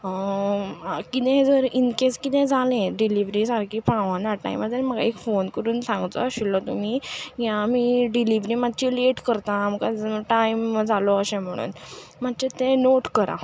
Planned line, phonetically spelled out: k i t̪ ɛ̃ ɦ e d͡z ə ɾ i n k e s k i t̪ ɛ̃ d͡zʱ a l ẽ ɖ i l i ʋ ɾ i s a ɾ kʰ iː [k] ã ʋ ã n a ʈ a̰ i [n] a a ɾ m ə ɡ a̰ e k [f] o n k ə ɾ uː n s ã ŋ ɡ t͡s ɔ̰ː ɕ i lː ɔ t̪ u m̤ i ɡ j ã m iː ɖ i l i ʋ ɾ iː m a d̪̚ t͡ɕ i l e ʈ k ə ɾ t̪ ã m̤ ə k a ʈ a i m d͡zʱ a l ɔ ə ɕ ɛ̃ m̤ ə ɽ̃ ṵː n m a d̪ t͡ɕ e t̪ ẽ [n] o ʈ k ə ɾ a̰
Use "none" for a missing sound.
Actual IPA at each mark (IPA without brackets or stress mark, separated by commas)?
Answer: p, m, f, n